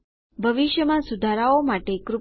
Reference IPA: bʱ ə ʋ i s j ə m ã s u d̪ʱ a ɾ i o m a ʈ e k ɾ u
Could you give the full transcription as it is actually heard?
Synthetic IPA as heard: bʱ ə ʋ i ʃ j ə m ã s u d̪ʱ a ɾ a o m a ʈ e k ɾ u